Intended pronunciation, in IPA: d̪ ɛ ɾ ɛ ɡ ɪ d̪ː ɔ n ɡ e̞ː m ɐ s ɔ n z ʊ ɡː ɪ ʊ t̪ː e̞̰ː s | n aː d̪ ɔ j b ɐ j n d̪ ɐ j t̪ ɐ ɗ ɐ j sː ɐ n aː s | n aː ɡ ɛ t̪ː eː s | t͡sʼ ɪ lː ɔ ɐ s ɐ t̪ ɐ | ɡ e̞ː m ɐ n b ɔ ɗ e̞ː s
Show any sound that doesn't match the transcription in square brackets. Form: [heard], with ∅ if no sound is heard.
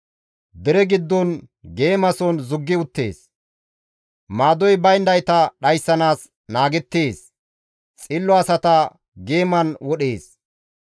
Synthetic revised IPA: d̪ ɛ ɾ ɛ ɡ ɪ d̪ː ɔ n ɡ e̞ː m ɐ s ɔ n z ʊ ɡː ɪ ʊ t̪ː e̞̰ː s | [m] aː d̪ ɔ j b ɐ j n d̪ ɐ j t̪ ɐ ɗ ɐ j sː ɐ n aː s | n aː ɡ ɛ t̪ː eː s | t͡sʼ ɪ lː ɔ ɐ s ɐ t̪ ɐ | ɡ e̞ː m ɐ n [w] ɔ ɗ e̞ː s